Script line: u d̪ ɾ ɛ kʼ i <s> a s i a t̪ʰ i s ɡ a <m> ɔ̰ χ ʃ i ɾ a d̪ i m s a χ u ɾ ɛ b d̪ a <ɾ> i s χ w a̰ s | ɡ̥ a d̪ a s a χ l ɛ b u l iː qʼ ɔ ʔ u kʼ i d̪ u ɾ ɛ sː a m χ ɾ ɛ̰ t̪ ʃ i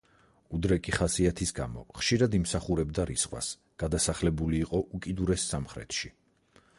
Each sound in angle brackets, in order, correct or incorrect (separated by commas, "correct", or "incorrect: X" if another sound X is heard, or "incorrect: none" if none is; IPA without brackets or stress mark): incorrect: χ, correct, correct